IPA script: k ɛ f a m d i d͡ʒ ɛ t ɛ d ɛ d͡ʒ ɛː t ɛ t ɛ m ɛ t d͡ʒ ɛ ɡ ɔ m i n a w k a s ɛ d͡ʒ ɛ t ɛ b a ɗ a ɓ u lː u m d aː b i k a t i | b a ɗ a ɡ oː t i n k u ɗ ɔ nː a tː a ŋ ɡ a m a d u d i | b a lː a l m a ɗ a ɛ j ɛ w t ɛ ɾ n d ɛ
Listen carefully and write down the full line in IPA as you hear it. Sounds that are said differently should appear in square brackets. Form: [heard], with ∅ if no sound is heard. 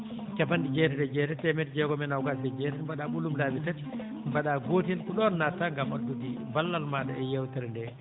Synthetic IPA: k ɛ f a [n] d i d͡ʒ ɛ t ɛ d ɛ d͡ʒ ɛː t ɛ t ɛ m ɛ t d͡ʒ ɛ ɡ ɔ m [ɛ] n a w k a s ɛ d͡ʒ ɛ t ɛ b a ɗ a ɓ u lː u m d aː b i [t] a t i | b a ɗ a ɡ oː t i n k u ɗ ɔ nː a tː a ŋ ɡ a m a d u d i | b a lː a l m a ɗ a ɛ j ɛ w t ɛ ɾ n d ɛ